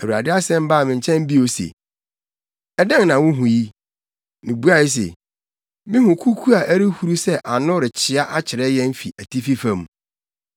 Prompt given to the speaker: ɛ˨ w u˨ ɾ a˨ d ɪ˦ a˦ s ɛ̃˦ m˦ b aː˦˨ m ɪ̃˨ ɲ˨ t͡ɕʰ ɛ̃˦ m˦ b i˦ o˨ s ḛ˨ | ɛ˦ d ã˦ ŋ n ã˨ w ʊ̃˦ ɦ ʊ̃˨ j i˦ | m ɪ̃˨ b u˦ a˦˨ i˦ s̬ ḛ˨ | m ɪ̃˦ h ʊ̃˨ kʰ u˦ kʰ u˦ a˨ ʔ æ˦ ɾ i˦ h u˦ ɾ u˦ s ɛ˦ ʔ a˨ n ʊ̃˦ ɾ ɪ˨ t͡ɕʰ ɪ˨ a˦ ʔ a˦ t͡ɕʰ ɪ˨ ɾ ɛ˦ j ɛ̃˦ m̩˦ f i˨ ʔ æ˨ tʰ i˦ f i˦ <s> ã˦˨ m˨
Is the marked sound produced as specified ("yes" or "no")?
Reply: no